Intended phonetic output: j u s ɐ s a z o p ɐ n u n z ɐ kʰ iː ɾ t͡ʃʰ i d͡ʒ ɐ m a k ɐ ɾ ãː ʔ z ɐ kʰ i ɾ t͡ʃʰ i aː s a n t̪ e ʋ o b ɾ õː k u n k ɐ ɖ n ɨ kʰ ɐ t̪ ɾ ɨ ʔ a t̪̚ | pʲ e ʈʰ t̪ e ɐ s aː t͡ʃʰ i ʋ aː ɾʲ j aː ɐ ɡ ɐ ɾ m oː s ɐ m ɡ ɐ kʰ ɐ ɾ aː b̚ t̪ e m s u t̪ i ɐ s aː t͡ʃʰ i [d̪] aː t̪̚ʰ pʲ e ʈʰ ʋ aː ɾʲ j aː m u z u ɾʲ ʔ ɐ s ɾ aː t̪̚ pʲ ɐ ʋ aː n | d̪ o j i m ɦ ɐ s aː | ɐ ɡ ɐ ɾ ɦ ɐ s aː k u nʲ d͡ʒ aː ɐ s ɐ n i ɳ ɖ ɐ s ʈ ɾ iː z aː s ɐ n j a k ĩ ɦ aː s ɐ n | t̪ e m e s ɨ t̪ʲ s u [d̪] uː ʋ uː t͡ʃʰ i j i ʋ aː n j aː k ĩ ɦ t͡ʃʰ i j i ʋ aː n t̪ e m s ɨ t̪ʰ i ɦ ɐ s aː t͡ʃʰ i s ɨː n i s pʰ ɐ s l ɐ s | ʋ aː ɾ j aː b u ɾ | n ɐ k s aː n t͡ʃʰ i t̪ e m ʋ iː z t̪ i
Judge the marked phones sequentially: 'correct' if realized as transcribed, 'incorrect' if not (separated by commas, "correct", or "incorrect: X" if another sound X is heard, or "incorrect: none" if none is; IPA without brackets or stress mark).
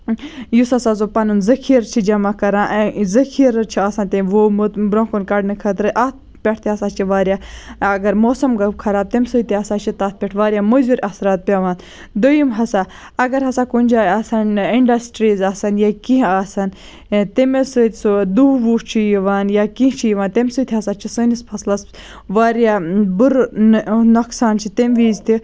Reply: incorrect: t̪, correct